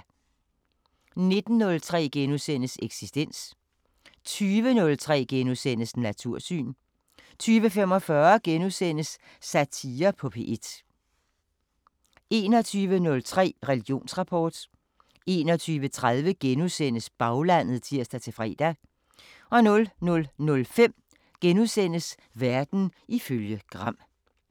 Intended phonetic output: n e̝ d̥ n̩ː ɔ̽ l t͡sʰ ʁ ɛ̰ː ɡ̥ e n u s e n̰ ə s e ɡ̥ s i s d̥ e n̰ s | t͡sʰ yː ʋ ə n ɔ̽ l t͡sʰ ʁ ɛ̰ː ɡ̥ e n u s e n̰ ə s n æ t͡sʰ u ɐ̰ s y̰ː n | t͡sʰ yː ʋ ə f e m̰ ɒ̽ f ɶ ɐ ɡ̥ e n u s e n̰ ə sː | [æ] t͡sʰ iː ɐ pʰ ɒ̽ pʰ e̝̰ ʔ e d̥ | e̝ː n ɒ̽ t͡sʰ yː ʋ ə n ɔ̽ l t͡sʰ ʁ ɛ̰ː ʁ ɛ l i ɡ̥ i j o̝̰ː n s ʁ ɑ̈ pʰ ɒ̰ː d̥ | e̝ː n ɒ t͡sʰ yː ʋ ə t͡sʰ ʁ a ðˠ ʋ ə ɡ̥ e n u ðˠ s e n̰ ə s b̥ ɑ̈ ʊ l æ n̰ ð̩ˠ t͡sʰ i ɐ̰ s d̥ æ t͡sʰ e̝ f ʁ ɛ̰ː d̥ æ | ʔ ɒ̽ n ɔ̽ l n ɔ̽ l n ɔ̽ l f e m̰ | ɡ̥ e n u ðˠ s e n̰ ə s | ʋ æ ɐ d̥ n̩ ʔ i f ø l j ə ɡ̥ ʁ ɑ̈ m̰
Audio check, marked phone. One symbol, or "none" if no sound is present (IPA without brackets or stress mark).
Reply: æ